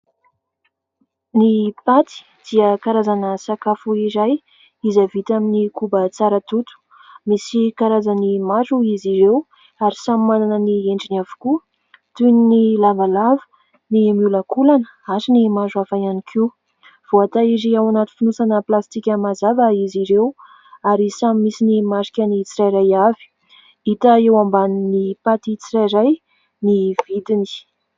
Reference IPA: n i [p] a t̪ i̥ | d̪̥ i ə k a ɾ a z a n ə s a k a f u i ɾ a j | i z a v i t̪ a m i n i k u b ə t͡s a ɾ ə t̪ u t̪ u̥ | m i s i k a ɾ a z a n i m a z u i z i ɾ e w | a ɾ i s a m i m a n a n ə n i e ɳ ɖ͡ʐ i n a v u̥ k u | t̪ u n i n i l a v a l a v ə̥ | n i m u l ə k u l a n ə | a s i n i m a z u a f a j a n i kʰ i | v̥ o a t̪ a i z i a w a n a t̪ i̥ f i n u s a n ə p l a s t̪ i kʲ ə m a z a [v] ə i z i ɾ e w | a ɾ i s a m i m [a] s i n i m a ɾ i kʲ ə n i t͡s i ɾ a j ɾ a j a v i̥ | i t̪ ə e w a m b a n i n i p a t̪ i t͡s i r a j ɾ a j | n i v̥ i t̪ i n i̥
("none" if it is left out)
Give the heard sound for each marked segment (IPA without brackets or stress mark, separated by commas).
p, v, i